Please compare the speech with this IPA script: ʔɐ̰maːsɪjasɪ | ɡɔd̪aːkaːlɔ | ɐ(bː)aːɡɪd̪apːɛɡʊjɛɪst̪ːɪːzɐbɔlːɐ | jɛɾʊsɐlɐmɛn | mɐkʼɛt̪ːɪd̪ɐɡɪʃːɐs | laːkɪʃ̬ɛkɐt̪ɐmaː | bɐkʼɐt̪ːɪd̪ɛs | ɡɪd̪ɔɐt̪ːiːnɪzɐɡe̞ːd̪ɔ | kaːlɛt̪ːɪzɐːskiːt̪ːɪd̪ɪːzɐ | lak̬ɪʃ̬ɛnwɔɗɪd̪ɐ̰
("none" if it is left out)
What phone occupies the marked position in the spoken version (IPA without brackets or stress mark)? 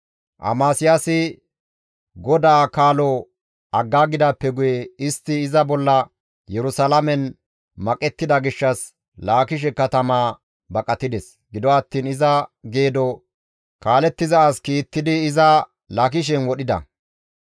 ɡː